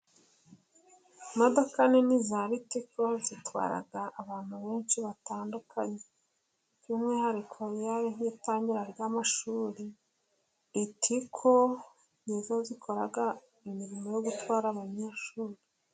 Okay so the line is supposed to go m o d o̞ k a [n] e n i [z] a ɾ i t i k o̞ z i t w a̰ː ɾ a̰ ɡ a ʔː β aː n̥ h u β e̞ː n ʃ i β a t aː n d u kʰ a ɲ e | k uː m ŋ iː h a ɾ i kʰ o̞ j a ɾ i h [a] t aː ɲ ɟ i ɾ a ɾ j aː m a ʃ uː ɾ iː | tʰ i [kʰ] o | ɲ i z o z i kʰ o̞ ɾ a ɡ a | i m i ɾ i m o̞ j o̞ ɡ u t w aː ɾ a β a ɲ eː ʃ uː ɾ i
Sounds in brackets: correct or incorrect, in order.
correct, correct, incorrect: i, correct

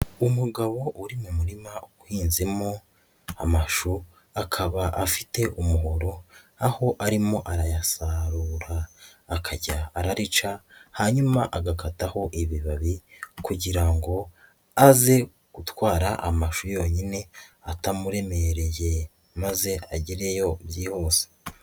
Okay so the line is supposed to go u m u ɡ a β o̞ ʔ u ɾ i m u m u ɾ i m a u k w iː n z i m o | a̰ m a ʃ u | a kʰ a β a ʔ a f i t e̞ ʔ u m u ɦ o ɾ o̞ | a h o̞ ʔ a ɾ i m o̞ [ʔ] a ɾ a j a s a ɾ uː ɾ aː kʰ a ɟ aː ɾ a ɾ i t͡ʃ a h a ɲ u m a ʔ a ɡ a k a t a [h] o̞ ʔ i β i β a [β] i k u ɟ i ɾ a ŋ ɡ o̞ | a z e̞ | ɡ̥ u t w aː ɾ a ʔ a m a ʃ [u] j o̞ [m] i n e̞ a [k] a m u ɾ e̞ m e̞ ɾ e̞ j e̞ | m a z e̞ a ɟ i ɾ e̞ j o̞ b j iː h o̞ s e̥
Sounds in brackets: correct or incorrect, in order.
correct, correct, correct, correct, incorrect: ɲ, incorrect: t

